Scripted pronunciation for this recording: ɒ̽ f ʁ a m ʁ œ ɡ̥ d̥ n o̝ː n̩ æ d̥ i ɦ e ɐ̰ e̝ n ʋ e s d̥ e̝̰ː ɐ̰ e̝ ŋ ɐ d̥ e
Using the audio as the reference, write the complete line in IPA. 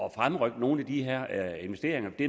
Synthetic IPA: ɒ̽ f ʁ a m ʁ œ ɡ̥ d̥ n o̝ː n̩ æ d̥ i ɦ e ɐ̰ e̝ n ʋ e s d̥ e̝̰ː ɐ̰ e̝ ŋ ɐ d̥ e

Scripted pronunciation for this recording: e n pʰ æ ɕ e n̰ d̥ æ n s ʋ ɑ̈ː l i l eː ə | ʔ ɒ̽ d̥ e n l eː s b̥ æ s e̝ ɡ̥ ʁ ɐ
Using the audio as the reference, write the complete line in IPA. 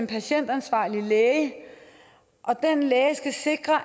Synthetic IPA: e n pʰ æ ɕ e n̰ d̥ æ n s ʋ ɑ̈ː l i l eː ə | ʔ ɒ̽ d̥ e n l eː s ɡ̥ æ s e̝ ɡ̥ ʁ ɐ

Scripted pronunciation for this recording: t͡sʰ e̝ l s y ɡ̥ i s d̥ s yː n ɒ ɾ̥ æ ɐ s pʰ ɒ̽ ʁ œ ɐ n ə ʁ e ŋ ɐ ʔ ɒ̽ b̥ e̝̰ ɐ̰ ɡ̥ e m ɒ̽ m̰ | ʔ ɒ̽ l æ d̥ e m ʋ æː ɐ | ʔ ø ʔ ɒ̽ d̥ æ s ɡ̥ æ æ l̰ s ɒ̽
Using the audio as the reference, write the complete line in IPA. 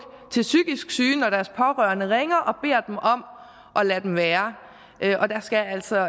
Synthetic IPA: t͡sʰ e̝ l s y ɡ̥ i s ɡ̥ s yː n ɒ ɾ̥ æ ɐ s pʰ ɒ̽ ʁ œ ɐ n ə ʁ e ŋ ɐ ʔ ɒ̽ b̥ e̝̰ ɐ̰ d̥ e m ɒ̽ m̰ | ʔ ɒ̽ l æ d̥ e m ʋ æː ɐ | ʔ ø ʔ ɒ̽ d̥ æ s ɡ̥ æ æ l̰ s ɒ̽

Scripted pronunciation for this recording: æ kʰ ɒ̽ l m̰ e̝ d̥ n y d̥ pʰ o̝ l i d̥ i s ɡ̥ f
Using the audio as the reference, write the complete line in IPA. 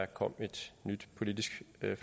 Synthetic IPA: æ kʰ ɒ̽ m̰ e̝ d̥ n y d̥ pʰ o̝ l i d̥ i s ɡ̥ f

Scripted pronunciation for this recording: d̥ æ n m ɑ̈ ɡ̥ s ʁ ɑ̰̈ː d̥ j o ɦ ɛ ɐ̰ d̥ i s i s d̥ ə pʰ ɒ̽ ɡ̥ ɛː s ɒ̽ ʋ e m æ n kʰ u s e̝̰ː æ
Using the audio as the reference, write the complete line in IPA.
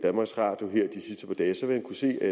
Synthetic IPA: d̥ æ n m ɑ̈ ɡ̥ s ʁ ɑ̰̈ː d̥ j o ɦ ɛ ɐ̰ d̥ i s i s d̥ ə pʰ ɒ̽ d̥ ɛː s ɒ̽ ʋ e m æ n kʰ u s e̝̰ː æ

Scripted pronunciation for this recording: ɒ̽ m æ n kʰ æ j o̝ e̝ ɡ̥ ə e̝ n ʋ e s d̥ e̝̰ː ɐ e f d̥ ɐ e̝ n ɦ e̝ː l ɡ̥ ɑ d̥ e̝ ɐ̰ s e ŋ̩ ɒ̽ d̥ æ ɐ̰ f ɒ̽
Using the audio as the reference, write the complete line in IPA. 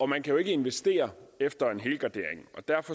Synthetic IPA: ɒ̽ m æ n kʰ æ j o̝ e̝ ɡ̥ ə e̝ n ʋ e s d̥ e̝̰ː ɐ e f d̥ ɐ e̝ n ɦ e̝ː l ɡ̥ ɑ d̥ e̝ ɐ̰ e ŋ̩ ɒ̽ d̥ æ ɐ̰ f ɒ̽

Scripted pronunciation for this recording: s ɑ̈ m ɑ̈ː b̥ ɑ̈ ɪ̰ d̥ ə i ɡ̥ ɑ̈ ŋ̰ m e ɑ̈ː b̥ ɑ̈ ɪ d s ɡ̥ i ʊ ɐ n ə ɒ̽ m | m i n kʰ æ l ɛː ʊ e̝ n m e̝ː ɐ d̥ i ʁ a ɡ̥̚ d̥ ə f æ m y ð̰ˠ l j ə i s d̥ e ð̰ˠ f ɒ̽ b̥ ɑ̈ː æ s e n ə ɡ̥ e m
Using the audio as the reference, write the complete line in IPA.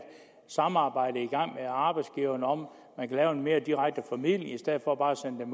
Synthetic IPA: s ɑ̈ m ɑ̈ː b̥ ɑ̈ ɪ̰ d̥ ə i ɡ̥ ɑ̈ ŋ̰ m e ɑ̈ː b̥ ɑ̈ ɪ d s ɡ̥ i ʊ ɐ n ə ɒ̽ m | m æ n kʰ æ l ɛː ʊ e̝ n m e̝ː ɐ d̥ i ʁ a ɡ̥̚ d̥ ə f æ m i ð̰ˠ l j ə i s d̥ e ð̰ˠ f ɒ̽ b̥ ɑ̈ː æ s e n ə d̥ e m

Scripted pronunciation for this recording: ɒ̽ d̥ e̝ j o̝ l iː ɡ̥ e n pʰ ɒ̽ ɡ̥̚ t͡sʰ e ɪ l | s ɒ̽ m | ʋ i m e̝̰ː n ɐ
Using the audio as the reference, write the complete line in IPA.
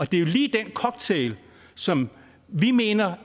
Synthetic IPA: ɒ̽ d̥ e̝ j o̝ l iː d̥ e n kʰ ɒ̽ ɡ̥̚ t͡sʰ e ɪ l | s ɒ̽ m | ʋ i m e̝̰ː n ɐ

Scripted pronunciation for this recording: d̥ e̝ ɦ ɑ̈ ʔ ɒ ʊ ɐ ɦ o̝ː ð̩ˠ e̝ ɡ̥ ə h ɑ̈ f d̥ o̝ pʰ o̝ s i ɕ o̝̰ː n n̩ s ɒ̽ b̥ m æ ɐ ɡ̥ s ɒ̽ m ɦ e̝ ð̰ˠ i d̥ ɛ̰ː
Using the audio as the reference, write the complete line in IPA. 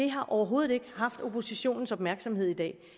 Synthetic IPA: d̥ e̝ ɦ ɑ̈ ʔ ɒ ʊ ɐ ɦ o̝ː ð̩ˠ e̝ ɡ̥ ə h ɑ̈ f d̥ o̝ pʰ o̝ s i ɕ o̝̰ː n n̩ s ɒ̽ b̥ m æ ɐ ɡ̥ s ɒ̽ m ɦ e̝ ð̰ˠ i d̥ ɛ̰ː

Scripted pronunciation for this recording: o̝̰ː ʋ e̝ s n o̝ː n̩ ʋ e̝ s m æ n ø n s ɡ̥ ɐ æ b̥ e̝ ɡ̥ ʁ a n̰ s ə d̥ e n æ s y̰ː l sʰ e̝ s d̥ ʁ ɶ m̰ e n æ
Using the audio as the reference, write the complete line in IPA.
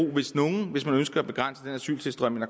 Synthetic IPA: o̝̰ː ʋ e̝ s n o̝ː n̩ ʋ e̝ s m æ n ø n s ɡ̥ ɐ æ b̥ e̝ ɡ̥ ʁ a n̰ s ə d̥ e n æ s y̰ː l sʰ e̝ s d̥ ʁ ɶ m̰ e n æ

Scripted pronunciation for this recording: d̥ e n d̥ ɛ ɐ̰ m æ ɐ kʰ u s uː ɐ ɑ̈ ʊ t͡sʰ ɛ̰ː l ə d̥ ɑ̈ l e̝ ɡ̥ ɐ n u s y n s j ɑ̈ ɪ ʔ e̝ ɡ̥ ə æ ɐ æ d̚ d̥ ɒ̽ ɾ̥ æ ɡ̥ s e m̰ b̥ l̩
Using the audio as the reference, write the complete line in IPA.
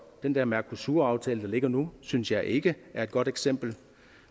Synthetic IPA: d̥ e n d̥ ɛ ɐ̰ m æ ɐ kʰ u s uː ɐ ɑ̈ ʊ t͡sʰ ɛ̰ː l ə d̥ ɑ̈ l e̝ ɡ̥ ɐ n u s y n s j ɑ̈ ɪ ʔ e̝ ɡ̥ ə æ ɐ e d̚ ɡ̥ ɒ̽ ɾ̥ e ɡ̥ s e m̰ b̥ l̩

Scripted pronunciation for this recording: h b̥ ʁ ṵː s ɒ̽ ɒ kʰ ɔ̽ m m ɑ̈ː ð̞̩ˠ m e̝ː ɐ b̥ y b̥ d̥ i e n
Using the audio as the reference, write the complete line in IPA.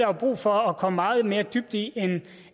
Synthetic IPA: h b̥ ʁ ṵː f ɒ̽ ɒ kʰ ɒ̽ m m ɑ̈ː ð̞̩ˠ m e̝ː ɐ d̥ y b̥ d̥ i e n

